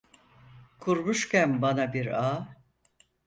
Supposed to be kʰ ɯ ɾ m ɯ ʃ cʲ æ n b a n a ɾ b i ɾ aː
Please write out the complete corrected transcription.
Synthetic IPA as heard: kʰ u ɾ m u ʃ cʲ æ n b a n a b i ɾ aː